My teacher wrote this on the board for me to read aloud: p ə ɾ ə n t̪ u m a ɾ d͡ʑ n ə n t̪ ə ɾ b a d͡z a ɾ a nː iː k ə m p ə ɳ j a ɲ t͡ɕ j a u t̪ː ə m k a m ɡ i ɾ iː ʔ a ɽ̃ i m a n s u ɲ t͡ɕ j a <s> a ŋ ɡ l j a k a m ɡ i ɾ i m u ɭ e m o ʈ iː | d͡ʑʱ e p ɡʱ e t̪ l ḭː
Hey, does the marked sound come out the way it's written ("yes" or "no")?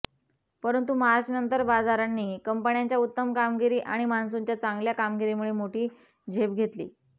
no